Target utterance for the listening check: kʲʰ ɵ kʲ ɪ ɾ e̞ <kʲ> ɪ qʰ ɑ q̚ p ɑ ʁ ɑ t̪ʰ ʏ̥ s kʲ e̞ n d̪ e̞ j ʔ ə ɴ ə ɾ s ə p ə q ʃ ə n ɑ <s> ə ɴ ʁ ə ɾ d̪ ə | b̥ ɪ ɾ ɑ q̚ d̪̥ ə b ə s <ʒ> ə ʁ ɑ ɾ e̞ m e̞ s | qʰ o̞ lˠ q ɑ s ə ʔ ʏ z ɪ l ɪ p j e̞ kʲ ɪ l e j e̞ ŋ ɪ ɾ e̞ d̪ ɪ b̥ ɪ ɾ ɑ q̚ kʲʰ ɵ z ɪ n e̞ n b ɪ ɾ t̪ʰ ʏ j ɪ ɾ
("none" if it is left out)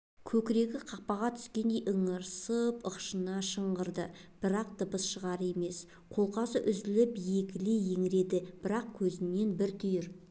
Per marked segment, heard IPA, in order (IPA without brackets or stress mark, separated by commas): ɡʲ, ʃ, ʃ